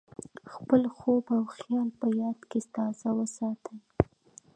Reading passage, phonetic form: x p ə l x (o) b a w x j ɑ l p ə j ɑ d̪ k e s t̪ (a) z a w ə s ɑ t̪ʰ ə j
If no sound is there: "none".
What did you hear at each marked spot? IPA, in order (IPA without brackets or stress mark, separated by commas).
o, ɑ